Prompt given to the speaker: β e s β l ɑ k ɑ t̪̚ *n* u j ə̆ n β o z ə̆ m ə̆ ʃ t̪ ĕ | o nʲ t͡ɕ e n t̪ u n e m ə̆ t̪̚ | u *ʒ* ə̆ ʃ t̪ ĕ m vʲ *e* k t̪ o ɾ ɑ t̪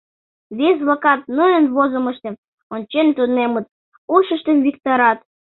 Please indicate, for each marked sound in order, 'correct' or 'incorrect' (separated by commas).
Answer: correct, incorrect, incorrect